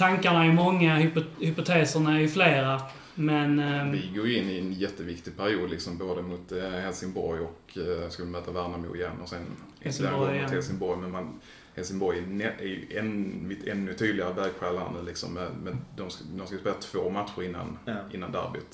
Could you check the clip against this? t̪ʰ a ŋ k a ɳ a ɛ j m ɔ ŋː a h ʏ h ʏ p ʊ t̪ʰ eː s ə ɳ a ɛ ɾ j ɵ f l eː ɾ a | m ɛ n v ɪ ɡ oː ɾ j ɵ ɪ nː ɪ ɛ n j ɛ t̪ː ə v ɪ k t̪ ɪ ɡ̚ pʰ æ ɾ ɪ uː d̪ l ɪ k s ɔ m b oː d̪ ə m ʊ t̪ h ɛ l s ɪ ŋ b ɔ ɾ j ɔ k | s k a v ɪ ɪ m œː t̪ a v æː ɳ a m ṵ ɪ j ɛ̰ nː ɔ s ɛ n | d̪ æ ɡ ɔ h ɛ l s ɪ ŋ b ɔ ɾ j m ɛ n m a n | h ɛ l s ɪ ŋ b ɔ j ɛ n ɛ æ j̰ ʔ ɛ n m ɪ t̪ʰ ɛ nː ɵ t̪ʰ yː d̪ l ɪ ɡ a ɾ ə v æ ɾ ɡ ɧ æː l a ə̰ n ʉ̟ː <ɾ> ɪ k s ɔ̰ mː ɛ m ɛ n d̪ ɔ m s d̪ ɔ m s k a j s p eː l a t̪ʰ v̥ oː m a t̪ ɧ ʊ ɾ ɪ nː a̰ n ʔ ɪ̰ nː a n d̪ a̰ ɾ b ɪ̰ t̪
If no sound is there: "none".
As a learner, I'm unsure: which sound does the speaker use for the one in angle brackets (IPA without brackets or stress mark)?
l